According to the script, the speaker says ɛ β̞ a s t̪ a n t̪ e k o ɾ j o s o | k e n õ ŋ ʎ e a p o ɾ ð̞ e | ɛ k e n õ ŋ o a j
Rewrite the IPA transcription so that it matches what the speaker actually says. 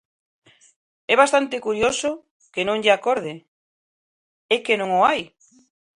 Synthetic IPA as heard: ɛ β̞ a s t̪ a n t̪ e k u ɾ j o s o | k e n õ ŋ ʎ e a k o ɾ ð̞ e | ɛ k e n õ ŋ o a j